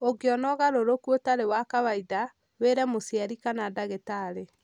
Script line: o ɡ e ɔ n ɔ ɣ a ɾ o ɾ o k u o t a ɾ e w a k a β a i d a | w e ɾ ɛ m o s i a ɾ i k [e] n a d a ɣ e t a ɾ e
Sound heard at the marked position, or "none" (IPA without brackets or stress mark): a